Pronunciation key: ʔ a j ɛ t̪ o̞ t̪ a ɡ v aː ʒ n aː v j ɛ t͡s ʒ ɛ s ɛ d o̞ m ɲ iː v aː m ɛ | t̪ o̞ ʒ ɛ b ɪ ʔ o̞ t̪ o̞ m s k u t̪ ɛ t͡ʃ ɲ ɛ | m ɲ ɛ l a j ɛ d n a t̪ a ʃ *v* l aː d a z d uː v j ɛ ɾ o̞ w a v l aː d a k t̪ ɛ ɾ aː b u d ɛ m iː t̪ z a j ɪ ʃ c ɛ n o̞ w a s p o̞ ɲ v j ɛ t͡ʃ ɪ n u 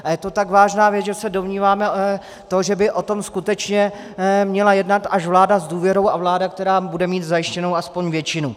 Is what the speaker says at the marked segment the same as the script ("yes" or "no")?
yes